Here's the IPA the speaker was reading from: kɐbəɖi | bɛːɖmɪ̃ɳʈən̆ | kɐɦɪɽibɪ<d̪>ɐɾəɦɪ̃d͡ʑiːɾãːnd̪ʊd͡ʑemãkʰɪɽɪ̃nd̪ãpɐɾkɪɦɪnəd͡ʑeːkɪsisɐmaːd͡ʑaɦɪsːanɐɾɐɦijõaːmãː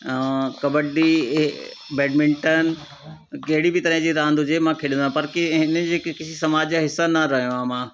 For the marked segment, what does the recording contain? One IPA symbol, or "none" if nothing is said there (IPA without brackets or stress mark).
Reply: t̪